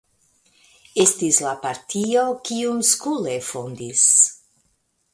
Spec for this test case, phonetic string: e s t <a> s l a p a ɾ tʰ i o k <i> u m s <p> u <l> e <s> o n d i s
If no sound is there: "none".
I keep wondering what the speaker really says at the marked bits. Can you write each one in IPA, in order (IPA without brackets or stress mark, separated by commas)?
i, i, k, l, f